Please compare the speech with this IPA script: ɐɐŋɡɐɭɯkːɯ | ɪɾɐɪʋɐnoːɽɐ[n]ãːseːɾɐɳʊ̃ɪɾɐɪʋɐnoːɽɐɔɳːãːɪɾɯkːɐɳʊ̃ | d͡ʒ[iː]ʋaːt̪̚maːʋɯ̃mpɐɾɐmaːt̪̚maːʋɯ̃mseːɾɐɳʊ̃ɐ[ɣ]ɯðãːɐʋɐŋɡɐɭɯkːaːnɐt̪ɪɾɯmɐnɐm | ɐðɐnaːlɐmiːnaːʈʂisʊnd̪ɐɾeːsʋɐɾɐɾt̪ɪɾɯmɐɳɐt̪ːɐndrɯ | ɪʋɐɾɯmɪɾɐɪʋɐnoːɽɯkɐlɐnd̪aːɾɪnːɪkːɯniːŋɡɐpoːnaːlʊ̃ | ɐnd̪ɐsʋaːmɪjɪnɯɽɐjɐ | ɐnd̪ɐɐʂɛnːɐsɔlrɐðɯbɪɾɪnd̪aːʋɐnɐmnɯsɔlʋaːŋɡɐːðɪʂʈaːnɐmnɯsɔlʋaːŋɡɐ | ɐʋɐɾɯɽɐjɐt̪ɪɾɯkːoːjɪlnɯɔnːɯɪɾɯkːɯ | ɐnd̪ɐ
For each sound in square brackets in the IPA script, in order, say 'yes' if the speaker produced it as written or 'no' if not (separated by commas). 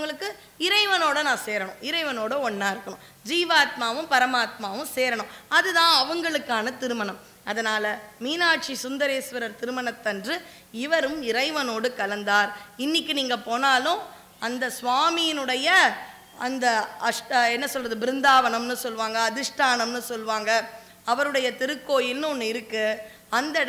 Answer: yes, yes, no